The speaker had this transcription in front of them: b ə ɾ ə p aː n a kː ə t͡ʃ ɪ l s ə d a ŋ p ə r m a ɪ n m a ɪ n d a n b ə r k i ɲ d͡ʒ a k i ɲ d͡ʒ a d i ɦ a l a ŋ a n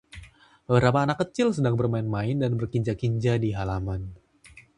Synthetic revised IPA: b ə ɾ a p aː n a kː ə t͡ʃ ɪ l s ə d a ŋ b ə r m a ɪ n m a ɪ n d a n b ə r k i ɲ d͡ʒ a k i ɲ d͡ʒ a d i ɦ a l a m a n

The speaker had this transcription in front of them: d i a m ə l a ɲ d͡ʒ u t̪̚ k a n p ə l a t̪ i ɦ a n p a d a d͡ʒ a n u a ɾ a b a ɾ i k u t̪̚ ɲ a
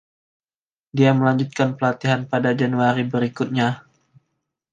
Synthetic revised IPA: d i a m ə l a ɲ d͡ʒ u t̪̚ k a n p ə l a t̪ i ɦ a n p a d a d͡ʒ a n u a ɾ i b ə ɾ i k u t̪̚ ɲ a

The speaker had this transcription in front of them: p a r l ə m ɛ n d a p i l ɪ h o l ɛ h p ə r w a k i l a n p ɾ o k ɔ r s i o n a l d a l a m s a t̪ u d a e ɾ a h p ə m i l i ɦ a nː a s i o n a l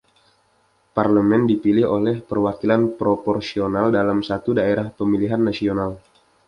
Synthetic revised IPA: p a r l ə m ɛ n d i p i l ɪ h o l ɛ h p ə r w a k i l a n p ɾ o p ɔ r s i o n a l d a l a m s a t̪ u d a e ɾ a h p ə m i l i ɦ a nː a s i o n a l

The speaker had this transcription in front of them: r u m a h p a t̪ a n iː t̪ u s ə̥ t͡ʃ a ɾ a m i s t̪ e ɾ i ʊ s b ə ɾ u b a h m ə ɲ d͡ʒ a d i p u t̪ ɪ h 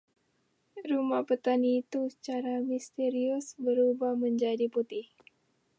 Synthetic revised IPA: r u m a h p ə t̪ a n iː t̪ u s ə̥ t͡ʃ a ɾ a m i s t̪ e ɾ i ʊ s b ə ɾ u b a h m ə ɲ d͡ʒ a d i p u t̪ ɪ h

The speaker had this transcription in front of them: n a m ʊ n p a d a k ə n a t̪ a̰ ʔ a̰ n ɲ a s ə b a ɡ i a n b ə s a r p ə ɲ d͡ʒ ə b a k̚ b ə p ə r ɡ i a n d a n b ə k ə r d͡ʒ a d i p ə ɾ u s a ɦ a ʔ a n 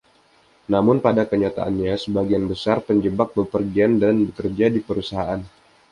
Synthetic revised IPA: n a m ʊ n p a d a k ə ɲ a t̪ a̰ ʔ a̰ n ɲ a s ə b a ɡ i a n b ə s a r p ə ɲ d͡ʒ ə b a k̚ b ə p ə r ɡ i a n d a n b ə k ə r d͡ʒ a d i p ə ɾ u s a ɦ a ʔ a n

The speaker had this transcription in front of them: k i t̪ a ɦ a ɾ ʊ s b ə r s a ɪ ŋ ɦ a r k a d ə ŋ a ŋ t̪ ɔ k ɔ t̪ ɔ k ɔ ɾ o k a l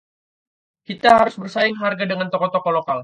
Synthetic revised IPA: k i t̪ a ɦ a ɾ ʊ s b ə r s a ɪ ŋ ɦ a r ɡ a d ə ŋ a n t̪ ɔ k ɔ t̪ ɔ k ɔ l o k a l

